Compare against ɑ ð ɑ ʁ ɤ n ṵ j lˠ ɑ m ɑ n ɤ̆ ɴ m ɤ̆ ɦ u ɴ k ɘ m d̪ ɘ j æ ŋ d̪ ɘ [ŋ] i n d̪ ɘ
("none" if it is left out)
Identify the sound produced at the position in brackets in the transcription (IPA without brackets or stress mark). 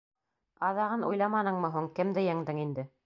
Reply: ŋ